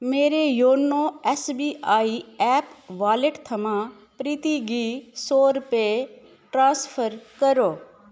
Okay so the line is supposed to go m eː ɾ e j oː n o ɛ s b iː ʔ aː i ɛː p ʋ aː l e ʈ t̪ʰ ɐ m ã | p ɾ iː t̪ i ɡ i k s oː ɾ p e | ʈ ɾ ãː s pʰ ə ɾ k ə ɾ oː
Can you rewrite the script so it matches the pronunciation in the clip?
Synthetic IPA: m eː ɾ e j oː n o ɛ s b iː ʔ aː i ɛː p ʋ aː l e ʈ t̪ʰ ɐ m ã | p ɾ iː t̪ i ɡ i s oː ɾ p e | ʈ ɾ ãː s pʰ ə ɾ k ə ɾ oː